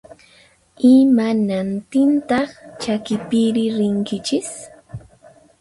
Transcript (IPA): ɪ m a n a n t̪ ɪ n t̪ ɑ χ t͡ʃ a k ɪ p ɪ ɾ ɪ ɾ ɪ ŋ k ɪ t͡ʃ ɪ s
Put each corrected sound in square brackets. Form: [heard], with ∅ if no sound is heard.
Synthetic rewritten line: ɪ m a n a n t̪ ɪ n t̪ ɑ χ t͡ʃ a k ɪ p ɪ ɾ ɪ ɾ ɪ ŋ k ɪ t͡ʃ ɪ s